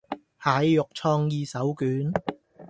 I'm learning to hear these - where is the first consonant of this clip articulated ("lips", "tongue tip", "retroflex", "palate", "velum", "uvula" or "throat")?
throat